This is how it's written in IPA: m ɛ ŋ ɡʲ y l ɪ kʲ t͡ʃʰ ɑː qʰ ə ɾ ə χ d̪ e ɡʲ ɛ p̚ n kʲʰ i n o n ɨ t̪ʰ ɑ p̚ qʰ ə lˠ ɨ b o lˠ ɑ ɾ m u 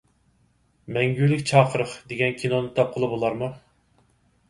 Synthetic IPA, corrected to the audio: m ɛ ŋ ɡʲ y l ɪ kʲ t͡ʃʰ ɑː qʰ ə ɾ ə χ d̪ e ɡʲ ɛ n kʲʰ i n o n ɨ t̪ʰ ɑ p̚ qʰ ə lˠ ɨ b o lˠ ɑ ɾ m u